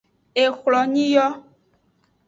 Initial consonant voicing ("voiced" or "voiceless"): voiceless